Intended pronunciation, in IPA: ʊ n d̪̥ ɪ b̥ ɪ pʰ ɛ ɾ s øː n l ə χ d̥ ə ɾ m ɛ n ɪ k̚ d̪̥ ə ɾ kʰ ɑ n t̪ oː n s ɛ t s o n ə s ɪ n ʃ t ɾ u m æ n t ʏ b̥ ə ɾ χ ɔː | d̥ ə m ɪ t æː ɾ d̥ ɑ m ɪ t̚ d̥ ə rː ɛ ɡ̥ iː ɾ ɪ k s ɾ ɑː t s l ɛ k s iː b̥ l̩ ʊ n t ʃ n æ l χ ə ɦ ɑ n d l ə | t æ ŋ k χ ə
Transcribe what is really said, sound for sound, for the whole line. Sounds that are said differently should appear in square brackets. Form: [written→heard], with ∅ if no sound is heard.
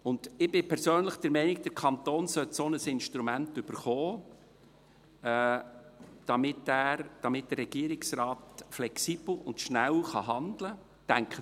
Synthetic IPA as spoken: ʊ n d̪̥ ɪ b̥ ɪ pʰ ɛ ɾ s øː n l ə χ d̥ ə ɾ m ɛ n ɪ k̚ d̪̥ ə ɾ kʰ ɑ n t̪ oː n s [ɛ→œ] t s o n ə s ɪ n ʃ t ɾ u m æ n t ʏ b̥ ə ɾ χ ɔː | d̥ [ə→ɑ] m ɪ t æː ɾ d̥ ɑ m ɪ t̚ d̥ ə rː ɛ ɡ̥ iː ɾ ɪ k s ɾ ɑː t [s→f] l ɛ k s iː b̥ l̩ ʊ n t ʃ n æ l χ [ə→ɑ] ɦ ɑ n d l ə | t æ ŋ k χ ə

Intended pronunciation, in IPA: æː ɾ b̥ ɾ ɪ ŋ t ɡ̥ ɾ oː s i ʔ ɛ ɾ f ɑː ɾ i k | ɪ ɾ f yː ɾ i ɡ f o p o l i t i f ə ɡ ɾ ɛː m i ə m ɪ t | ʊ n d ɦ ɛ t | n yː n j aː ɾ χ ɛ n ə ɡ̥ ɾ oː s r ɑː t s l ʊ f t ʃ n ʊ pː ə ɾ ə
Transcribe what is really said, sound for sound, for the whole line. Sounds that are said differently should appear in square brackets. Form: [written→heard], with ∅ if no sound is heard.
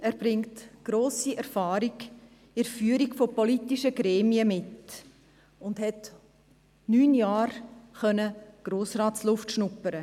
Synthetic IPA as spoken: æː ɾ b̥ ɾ ɪ ŋ t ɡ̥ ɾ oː s i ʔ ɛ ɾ f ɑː ɾ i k | ɪ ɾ f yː ɾ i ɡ f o p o l i t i [f→ʃ] ə ɡ ɾ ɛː m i ə m ɪ t | ʊ n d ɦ ɛ t | n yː n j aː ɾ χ [ɛ→œ] n ə ɡ̥ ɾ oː s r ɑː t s l ʊ f t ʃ n ʊ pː ə ɾ ə

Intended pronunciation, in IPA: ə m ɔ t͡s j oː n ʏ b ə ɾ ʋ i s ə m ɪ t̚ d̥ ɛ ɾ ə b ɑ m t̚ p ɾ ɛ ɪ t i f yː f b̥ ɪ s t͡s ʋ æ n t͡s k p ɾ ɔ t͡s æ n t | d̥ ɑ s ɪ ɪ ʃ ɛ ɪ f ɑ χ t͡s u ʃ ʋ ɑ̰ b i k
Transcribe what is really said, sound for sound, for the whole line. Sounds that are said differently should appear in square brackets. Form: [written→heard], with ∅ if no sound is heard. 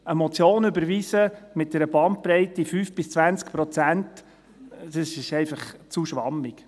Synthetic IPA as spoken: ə m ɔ t͡s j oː n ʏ b ə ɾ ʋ i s ə m ɪ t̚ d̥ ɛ ɾ ə b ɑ [m→n] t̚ p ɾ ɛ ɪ t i f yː f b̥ ɪ s t͡s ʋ æ n t͡s k p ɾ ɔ t͡s æ n t | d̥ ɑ s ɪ ɪ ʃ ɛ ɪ f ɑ χ t͡s u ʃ ʋ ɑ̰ [b→m] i k

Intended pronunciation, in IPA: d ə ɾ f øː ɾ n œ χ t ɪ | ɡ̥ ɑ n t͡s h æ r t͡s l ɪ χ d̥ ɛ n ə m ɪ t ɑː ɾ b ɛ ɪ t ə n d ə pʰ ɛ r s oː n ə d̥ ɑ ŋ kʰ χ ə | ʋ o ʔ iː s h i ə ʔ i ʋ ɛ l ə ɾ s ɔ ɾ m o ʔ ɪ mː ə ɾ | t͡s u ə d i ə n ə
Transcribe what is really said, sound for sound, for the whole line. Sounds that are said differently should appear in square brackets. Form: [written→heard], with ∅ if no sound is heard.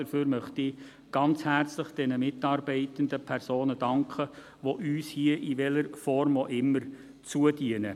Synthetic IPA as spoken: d ə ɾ f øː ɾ [n→m] œ χ t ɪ | ɡ̥ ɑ n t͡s h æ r t͡s l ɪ χ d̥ ɛ n ə m ɪ t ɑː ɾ b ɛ ɪ t ə n d ə pʰ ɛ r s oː n ə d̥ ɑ ŋ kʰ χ ə | ʋ o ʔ [iː→yː] s h i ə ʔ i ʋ ɛ l ə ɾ [s→f] ɔ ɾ m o ʔ ɪ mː ə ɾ | t͡s u ə d i ə n ə

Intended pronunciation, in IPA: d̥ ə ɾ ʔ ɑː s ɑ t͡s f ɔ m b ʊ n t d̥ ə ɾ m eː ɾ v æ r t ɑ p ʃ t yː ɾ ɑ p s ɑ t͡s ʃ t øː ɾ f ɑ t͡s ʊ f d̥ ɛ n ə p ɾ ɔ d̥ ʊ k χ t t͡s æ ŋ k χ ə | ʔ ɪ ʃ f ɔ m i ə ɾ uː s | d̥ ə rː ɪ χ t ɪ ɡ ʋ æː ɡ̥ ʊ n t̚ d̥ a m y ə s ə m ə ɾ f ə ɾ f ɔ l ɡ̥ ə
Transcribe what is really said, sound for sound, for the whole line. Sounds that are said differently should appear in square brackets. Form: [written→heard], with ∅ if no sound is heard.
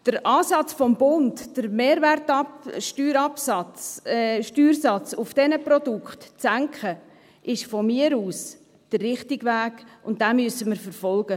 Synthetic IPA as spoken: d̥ ə ɾ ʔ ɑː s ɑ t͡s f ɔ m b ʊ n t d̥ ə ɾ m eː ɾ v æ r t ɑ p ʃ t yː ɾ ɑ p s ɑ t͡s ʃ t [øː→yː] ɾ [f→s] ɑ t͡s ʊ f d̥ ɛ n ə p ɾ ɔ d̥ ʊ k χ t t͡s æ ŋ k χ ə | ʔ ɪ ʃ f ɔ m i ə ɾ uː s | d̥ ə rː ɪ χ t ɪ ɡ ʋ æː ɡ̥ ʊ n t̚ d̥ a m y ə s ə m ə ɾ f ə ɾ f ɔ l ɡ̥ ə

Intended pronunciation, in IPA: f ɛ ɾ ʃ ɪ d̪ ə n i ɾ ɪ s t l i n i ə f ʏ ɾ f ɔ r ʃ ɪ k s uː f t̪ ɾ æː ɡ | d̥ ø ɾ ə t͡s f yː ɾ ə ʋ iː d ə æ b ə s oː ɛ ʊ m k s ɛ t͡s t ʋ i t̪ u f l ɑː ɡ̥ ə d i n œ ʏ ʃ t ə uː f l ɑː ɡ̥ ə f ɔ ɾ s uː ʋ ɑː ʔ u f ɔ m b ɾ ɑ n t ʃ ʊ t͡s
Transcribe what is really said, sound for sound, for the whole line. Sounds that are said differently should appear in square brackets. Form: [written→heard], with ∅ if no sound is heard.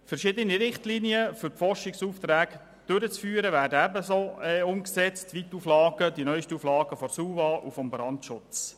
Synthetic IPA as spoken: f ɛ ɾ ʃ ɪ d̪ ə n i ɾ ɪ [s→χ] t l i n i ə f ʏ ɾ f ɔ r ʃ ɪ k s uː f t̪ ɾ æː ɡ | d̥ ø ɾ ə t͡s f yː ɾ ə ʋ [iː→æː] d ə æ b ə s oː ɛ ʊ m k s ɛ t͡s t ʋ i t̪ u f l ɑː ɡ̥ ə d i n œ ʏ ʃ t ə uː f l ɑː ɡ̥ ə f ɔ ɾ s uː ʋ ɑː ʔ u f ɔ m b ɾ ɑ n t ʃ ʊ t͡s

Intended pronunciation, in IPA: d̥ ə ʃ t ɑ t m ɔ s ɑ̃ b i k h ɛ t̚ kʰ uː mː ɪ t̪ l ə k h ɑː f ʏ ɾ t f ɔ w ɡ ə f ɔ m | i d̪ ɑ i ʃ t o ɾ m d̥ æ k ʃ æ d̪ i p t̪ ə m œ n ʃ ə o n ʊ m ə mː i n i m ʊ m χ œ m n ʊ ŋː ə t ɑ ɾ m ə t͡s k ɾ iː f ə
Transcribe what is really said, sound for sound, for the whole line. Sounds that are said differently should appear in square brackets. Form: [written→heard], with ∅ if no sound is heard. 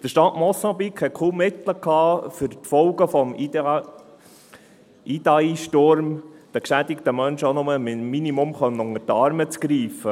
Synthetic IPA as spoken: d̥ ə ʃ t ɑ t m ɔ s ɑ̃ b i k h ɛ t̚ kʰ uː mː ɪ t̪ l ə k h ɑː f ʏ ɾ t f ɔ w ɡ ə f ɔ m | i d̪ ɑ i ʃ t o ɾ m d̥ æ k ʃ æ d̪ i [p→k] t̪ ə m œ n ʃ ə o n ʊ m ə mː i n i m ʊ m χ œ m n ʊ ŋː ə t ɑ ɾ m ə t͡s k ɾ iː f ə

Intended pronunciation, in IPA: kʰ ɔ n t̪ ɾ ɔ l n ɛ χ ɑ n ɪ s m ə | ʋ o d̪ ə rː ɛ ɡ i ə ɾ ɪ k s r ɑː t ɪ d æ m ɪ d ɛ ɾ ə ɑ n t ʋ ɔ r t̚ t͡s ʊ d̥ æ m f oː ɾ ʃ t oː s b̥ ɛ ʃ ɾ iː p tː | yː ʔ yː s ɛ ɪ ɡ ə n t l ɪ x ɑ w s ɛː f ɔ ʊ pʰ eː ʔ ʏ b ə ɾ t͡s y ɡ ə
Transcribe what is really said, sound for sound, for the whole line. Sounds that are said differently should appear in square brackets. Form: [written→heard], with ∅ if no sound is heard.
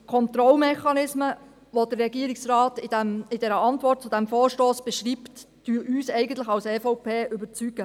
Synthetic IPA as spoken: kʰ ɔ n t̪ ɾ ɔ l [n→m] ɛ χ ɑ n ɪ s m ə | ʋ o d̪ ə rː ɛ ɡ i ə ɾ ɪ k s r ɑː t ɪ d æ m ɪ d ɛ ɾ ə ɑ n t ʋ ɔ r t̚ t͡s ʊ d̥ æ m f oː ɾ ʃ t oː s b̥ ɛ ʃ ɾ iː p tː | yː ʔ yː s ɛ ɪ ɡ ə n t l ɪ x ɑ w s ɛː f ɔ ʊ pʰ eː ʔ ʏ b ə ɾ t͡s y ɡ ə

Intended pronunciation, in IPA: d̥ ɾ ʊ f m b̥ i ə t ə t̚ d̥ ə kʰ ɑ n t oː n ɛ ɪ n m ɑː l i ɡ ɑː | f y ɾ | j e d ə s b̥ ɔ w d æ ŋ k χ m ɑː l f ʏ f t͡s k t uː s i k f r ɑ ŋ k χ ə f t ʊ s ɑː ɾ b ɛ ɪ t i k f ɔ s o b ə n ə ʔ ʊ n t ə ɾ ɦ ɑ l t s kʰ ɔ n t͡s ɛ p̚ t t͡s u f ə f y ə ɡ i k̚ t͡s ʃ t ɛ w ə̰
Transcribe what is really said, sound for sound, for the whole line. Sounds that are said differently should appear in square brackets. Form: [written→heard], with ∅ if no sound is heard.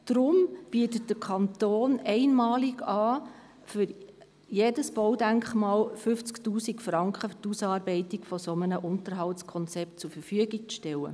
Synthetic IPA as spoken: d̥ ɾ ʊ [f→∅] m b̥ i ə t ə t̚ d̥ ə kʰ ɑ n t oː n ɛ ɪ n m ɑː l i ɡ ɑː | f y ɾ | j e d ə s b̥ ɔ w d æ ŋ k χ m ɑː l f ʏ f t͡s k t uː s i k f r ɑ ŋ k χ ə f t [ʊ→u] s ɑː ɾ b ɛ ɪ t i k f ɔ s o [b→m] ə n ə ʔ ʊ n t ə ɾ ɦ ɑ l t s kʰ ɔ n t͡s ɛ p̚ t t͡s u f ə f y ə ɡ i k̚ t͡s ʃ t ɛ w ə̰

